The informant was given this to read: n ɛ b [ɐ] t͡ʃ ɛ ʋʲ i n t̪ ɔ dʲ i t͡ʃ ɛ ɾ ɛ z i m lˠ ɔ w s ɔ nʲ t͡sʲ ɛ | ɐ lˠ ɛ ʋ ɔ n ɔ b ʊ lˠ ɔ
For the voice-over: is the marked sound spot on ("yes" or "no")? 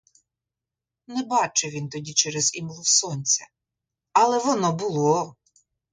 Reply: no